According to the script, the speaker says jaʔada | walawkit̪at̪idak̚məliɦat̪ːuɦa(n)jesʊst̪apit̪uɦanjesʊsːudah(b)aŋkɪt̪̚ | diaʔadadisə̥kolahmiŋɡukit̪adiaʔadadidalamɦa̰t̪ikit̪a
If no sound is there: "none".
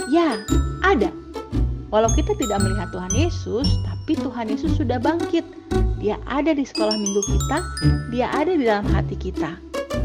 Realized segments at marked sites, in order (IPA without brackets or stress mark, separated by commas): n, b